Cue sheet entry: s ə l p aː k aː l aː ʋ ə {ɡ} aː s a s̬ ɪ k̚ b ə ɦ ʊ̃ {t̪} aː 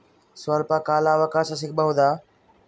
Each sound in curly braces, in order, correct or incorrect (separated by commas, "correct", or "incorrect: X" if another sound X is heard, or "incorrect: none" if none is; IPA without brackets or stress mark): incorrect: k, incorrect: d̪